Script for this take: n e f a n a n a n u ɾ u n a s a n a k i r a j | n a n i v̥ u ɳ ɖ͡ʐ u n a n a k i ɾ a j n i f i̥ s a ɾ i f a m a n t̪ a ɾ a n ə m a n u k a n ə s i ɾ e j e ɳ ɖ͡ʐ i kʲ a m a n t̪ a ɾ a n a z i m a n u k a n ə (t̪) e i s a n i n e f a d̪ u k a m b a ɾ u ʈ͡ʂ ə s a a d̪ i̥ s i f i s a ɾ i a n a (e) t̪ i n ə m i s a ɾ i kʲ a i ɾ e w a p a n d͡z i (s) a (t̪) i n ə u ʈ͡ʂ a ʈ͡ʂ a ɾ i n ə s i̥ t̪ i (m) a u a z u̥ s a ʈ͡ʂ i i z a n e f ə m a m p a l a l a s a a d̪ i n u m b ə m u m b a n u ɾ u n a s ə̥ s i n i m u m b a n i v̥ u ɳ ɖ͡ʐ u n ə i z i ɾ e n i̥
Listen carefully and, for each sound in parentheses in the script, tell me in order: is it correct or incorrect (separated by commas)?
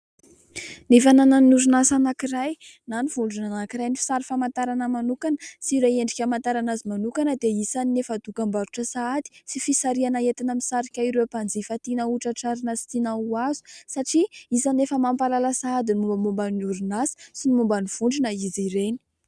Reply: incorrect, correct, incorrect, correct, incorrect